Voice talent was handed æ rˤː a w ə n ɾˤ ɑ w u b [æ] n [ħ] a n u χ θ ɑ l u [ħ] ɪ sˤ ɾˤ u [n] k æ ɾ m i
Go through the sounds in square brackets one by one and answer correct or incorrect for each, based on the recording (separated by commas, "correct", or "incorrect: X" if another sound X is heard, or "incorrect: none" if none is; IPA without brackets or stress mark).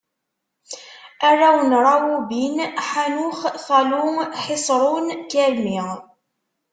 incorrect: i, correct, correct, correct